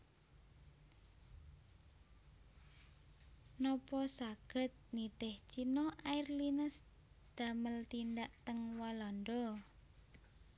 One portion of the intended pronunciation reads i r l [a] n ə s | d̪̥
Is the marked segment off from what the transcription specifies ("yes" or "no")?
yes